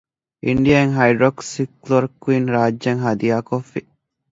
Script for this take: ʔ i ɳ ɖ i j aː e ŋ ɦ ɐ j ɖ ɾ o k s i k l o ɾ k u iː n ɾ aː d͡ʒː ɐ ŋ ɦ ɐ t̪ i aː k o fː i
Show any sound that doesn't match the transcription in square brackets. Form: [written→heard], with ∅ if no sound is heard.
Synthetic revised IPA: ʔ i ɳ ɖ i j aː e ŋ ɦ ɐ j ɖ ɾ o k s i k l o ɾ k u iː n ɾ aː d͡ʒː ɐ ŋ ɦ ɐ [t̪→d̪] i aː k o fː i